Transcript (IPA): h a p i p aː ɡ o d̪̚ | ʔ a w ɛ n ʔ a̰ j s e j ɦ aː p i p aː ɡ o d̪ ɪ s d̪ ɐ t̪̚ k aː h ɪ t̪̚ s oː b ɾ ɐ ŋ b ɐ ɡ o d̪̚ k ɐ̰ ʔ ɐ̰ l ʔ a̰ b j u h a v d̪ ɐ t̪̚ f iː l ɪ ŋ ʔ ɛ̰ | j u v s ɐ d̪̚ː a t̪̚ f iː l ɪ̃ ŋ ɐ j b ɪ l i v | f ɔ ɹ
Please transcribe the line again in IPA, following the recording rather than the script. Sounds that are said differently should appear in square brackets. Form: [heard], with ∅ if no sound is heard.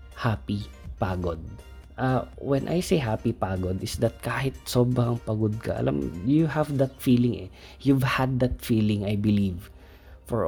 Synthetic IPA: h a p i p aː ɡ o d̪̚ | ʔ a w ɛ n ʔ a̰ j s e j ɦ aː p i p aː ɡ o d̪ ɪ s d̪ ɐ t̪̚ k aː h ɪ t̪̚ s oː b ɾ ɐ ŋ [p] ɐ ɡ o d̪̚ k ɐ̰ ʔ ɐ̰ l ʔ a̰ [m] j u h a v d̪ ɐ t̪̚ f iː l ɪ ŋ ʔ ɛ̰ | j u v [h] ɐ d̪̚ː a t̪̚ f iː l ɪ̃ ŋ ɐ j b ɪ l i v | f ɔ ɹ